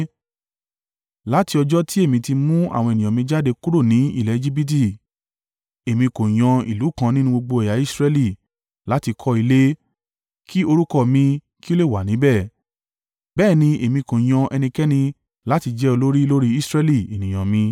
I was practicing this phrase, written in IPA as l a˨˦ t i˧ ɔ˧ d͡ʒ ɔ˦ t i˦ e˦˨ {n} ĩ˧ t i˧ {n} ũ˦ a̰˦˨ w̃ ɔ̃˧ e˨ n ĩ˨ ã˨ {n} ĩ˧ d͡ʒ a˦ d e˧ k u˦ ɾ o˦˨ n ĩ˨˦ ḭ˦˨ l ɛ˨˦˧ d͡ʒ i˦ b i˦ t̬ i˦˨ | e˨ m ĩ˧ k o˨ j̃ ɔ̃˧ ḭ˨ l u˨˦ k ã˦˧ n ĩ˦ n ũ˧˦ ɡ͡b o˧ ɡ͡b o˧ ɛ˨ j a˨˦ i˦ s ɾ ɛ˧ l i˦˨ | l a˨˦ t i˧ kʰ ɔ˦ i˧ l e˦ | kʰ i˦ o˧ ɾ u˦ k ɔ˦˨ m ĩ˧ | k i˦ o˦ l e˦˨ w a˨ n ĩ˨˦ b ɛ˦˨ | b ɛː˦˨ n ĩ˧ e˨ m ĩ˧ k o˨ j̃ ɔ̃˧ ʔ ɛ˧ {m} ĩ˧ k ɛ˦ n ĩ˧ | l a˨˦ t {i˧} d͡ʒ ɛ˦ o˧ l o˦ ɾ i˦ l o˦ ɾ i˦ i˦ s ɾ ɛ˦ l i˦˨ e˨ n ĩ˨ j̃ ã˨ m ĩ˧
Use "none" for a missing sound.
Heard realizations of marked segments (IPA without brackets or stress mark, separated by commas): m, m, m, n, i˧